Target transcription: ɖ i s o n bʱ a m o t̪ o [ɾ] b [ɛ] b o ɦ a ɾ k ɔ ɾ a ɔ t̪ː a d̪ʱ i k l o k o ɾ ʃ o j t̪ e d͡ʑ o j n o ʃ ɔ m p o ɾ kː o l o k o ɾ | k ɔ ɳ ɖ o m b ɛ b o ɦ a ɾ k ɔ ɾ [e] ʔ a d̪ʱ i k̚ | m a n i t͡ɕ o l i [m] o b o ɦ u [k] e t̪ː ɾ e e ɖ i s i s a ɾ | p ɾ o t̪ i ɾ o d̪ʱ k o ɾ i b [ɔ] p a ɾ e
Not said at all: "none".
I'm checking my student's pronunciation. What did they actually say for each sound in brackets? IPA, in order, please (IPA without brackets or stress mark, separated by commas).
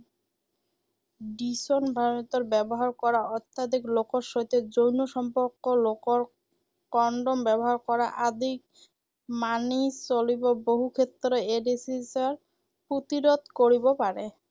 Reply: ɾ, ɛ, a, b, kʰ, o